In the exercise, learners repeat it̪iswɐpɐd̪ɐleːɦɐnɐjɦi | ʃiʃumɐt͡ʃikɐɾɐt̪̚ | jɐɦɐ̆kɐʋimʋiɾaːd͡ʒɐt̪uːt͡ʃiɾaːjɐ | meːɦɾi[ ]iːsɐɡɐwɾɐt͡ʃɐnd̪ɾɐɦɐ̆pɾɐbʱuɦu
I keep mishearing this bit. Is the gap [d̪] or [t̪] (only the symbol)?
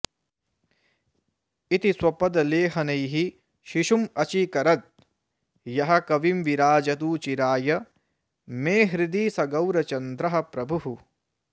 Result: d̪